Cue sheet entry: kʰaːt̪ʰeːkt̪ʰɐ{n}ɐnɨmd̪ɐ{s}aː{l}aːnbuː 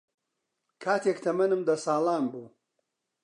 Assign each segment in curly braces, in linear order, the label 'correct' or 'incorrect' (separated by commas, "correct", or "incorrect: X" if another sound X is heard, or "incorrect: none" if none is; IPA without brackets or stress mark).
incorrect: m, correct, correct